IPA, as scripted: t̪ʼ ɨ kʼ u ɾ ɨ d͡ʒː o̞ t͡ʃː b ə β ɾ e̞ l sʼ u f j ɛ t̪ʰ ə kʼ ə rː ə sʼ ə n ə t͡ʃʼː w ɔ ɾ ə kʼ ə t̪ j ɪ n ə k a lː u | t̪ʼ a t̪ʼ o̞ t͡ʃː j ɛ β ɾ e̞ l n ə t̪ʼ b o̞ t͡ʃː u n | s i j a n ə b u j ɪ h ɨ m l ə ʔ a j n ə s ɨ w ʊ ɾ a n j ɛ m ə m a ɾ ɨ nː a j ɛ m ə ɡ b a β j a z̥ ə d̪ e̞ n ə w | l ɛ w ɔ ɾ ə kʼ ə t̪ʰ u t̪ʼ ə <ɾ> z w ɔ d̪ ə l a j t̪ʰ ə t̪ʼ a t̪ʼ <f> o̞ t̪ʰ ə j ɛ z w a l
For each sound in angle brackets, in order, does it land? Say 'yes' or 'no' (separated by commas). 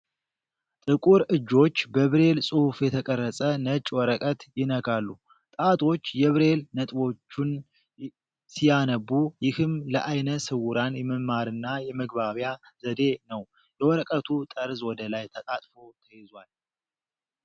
yes, yes